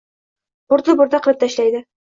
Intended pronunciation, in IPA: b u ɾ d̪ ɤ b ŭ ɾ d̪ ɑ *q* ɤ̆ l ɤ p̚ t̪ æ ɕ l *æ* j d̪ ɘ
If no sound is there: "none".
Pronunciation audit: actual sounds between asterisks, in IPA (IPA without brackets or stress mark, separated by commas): q, æ